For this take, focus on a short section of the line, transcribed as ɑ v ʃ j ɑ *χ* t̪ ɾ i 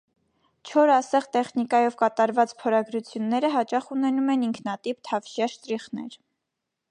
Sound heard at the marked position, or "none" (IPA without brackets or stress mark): ʃ